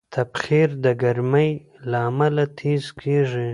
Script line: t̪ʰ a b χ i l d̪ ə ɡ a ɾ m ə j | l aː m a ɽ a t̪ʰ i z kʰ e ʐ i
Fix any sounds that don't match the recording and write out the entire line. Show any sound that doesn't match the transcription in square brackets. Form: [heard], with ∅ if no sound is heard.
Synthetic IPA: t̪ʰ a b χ i [ɾ] d̪ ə ɡ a ɾ m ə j | l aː m a [l] a t̪ʰ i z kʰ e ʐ i